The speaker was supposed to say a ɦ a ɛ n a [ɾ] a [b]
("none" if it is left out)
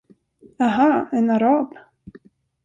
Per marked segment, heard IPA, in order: ɾ, b

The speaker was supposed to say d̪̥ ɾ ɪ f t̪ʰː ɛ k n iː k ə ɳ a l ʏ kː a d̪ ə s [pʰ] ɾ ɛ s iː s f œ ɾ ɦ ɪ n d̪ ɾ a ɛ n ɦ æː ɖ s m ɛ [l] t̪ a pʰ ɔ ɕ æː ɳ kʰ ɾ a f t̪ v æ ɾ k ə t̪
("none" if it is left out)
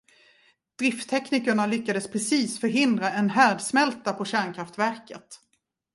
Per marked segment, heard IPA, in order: pʰ, l

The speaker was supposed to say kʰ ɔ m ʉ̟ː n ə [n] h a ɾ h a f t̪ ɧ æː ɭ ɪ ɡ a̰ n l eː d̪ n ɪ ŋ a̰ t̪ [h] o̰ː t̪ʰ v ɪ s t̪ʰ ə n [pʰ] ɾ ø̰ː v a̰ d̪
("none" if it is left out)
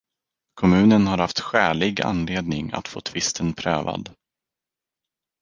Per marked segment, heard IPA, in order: n, f, pʰ

